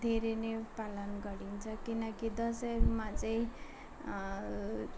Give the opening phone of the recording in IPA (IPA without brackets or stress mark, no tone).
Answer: d̪ʱ